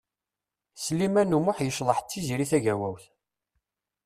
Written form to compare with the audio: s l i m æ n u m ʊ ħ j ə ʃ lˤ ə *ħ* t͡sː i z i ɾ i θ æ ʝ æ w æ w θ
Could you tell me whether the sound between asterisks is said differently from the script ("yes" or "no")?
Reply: no